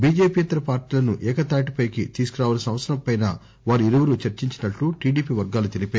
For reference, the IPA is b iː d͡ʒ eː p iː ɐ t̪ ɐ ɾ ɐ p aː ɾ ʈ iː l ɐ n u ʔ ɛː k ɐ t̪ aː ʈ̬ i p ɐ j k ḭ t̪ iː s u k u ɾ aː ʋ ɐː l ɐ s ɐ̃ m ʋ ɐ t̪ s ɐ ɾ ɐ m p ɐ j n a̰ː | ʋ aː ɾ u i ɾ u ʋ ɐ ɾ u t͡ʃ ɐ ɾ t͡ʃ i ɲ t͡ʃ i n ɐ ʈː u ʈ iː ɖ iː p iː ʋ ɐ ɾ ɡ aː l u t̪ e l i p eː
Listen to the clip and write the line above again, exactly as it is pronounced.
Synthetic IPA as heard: b iː d͡ʒ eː p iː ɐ t̪ ɐ ɾ ɐ p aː ɾ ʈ iː l ɐ n u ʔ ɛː k ɐ t̪ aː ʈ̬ i p ɐ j k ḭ t̪ iː s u k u ɾ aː ʋ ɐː l ɐ s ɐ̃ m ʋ ɐ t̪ s ɐ ɾ ɐ m p ɐ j n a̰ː | ʋ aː ɾ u i ɾ u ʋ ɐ ɾ u t͡ʃ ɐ ɾ t͡ʃ i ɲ t͡ʃ i n ɐ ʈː u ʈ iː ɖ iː p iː ʋ ɐ ɾ ɡ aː l u t̪ e l i p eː